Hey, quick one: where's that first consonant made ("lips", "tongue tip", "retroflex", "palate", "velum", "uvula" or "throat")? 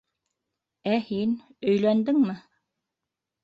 throat